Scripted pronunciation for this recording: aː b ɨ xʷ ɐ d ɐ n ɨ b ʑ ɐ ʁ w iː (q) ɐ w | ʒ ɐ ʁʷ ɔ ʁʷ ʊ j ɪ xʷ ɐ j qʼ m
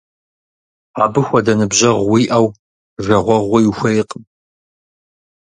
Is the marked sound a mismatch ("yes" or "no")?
yes